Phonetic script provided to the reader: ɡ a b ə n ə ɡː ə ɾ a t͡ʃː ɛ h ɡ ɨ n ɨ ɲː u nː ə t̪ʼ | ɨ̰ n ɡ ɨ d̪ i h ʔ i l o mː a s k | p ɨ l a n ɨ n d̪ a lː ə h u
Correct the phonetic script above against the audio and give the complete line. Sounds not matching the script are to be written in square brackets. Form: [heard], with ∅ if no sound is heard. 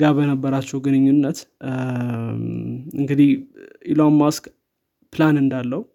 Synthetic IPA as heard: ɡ a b ə n ə [bː] ə ɾ a t͡ʃː ɛ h ɡ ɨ n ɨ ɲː u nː ə [t̪] | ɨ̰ [ŋ] ɡ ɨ d̪ i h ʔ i l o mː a s k | p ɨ l a n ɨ n d̪ a lː ə h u